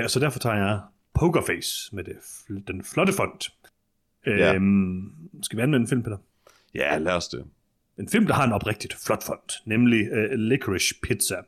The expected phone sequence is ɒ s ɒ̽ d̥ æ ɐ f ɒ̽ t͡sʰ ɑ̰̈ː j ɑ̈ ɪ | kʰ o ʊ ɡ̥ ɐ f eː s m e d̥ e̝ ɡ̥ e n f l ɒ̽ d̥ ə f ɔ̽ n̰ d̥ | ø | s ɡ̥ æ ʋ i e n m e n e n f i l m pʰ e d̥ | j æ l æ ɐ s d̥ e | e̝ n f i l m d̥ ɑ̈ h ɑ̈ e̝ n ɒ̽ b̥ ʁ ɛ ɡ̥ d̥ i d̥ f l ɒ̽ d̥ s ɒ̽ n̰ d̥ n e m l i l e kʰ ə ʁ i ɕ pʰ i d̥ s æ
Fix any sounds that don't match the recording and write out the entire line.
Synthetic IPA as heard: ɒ s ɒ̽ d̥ æ ɐ f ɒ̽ t͡sʰ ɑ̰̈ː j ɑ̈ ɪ | pʰ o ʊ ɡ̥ ɐ f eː s m e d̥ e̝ d̥ e n f l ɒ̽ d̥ ə f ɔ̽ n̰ d̥ | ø | s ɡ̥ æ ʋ i æ n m e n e n f i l m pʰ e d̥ | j æ l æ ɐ s d̥ e | e̝ n f i l m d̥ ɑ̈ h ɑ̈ e̝ n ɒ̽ b̥ ʁ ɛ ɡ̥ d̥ i d̥ f l ɒ̽ d̥ f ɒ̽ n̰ d̥ n e m l i l e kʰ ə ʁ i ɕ pʰ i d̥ s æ